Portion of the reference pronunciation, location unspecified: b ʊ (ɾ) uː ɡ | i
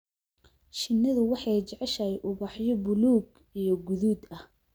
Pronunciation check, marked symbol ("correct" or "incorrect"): incorrect